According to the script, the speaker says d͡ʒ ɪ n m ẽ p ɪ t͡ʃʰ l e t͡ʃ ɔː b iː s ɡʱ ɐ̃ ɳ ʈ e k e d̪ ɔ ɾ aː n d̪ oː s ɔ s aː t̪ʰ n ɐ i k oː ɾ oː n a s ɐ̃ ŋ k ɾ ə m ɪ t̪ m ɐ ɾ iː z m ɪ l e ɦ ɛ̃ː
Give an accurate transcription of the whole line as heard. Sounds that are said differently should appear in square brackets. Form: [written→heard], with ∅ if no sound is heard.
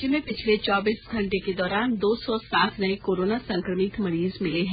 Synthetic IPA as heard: d͡ʒ ɪ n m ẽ p ɪ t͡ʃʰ l e t͡ʃ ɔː b iː s ɡʱ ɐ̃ ɳ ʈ e k e d̪ [ɔ→ɔː] ɾ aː n d̪ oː s ɔ s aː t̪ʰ n ɐ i k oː ɾ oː n a s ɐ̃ ŋ k ɾ ə m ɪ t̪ m ɐ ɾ iː z m ɪ l e ɦ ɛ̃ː

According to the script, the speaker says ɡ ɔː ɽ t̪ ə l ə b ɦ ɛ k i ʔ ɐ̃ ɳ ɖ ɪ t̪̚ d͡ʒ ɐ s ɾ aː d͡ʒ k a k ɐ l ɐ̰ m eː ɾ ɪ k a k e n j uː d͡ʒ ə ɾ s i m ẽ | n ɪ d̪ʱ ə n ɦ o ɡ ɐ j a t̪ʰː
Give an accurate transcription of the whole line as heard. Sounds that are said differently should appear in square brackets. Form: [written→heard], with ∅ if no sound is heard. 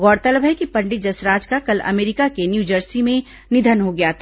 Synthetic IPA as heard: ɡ ɔː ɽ t̪ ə l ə b ɦ ɛ k i [ʔ→p] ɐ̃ ɳ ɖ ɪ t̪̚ d͡ʒ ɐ s ɾ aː d͡ʒ k a k ɐ l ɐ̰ m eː ɾ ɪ k a k e n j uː d͡ʒ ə ɾ s i m ẽ | n ɪ d̪ʱ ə n ɦ o ɡ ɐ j a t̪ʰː

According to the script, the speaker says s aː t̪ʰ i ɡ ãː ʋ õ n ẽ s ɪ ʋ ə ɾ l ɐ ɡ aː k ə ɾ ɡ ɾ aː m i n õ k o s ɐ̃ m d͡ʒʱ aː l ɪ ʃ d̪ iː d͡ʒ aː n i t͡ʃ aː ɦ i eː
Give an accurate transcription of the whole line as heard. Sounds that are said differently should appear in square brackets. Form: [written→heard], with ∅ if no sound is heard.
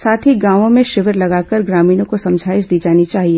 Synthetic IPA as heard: s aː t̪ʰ i ɡ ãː ʋ õ [n→m] ẽ [s→ʃ] ɪ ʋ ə ɾ l ɐ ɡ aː k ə ɾ ɡ ɾ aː m [i→iː] n õ k o s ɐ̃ m d͡ʒʱ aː [l→∅] ɪ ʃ d̪ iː d͡ʒ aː n i t͡ʃ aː ɦ i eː

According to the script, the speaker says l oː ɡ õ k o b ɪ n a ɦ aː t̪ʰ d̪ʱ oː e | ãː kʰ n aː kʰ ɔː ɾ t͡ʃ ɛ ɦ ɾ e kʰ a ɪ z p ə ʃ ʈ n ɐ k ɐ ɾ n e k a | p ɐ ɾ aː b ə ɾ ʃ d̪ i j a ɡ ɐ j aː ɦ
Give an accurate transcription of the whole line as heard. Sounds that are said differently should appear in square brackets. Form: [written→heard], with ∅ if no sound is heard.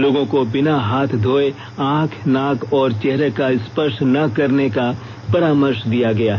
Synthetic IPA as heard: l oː ɡ õ k o b ɪ n a ɦ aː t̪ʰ d̪ʱ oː e | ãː kʰ n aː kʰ ɔː ɾ t͡ʃ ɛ ɦ ɾ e [kʰ→k] a ɪ [z→s] p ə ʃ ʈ n ɐ k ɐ ɾ n e k a | p ɐ ɾ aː [b→m] ə ɾ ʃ d̪ i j a ɡ ɐ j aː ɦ

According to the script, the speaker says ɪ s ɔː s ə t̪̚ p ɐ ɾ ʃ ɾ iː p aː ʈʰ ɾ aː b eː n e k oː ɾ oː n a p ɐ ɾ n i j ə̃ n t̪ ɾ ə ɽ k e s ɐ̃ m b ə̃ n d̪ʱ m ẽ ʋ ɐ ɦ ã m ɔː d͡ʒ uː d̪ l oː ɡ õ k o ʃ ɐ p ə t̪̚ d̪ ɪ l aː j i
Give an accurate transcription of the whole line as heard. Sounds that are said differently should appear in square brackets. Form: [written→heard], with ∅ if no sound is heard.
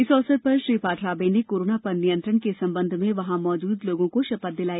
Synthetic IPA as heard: ɪ s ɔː s ə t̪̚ p ɐ ɾ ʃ ɾ iː p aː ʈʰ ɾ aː b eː n e k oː ɾ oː n a p ɐ ɾ n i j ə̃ n t̪ ɾ ə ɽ k e s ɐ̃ m b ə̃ n d̪ʱ m ẽ ʋ ɐ ɦ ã m ɔː d͡ʒ uː d̪ l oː ɡ õ k o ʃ ɐ p ə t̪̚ d̪ ɪ l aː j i

